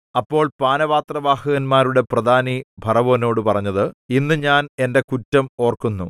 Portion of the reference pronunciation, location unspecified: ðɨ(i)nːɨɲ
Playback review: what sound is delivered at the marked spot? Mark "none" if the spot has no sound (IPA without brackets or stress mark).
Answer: i